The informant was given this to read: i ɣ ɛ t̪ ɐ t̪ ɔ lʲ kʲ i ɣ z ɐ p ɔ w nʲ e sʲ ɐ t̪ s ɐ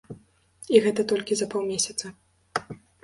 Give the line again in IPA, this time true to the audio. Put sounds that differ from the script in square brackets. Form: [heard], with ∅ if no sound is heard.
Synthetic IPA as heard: i ɣ ɛ t̪ ɐ t̪ ɔ lʲ kʲ i [∅] z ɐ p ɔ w [mʲ] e sʲ ɐ t̪ s ɐ